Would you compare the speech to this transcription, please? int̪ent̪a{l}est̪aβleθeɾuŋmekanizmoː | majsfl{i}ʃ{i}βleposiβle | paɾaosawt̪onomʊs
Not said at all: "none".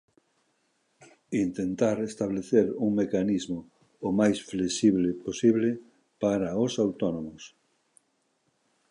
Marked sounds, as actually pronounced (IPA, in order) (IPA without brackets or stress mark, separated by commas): ɾ, e, i